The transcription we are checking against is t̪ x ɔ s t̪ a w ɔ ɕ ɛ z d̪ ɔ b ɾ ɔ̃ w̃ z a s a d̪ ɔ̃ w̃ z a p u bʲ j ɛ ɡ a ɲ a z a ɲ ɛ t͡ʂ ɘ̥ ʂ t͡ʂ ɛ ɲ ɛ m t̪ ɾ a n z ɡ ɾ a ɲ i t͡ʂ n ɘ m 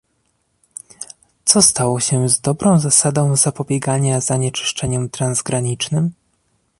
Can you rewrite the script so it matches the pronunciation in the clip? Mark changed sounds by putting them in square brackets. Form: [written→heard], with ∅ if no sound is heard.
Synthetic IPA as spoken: t̪ [x→s] ɔ s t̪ a w ɔ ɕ ɛ z d̪ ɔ b ɾ ɔ̃ w̃ z a s a d̪ ɔ̃ w̃ z a p [u→ɔ] bʲ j ɛ ɡ a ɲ a z a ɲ ɛ t͡ʂ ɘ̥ ʂ t͡ʂ ɛ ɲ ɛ m t̪ ɾ a n z ɡ ɾ a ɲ i t͡ʂ n ɘ m